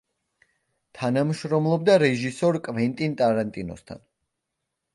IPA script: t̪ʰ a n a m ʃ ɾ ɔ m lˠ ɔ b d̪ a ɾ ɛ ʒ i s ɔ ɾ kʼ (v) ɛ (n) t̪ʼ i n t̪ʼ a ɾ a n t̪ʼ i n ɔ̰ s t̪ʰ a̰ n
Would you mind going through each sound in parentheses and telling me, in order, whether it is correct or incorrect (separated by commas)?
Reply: correct, correct